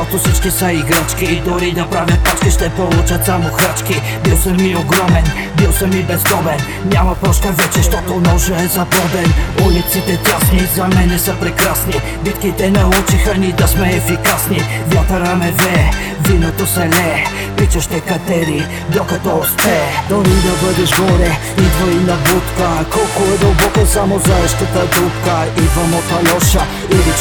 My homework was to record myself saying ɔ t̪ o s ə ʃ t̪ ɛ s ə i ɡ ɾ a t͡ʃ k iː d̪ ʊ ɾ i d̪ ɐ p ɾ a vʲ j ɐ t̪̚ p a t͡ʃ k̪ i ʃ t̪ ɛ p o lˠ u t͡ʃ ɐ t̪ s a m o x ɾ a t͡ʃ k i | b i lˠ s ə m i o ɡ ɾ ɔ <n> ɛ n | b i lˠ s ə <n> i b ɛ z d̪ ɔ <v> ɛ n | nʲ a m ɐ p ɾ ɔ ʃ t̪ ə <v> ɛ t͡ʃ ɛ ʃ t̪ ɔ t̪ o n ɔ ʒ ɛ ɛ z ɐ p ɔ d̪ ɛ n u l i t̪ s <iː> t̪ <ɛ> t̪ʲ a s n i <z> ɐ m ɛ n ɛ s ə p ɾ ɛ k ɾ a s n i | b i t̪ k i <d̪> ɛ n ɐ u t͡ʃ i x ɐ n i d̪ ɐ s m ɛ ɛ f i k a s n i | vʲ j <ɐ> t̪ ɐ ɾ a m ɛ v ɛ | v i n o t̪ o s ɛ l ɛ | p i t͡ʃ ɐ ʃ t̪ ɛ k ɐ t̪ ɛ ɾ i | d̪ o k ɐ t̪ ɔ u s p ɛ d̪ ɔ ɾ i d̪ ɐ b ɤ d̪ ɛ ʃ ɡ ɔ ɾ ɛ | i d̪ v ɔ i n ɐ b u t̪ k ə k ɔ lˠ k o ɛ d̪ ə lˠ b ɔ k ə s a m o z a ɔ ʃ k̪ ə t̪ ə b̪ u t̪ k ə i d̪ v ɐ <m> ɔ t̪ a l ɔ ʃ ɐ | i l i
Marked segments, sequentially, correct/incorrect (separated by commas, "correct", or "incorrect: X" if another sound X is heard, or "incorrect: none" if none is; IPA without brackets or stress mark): incorrect: m, incorrect: m, incorrect: b, correct, incorrect: i, correct, correct, incorrect: t̪, incorrect: a, correct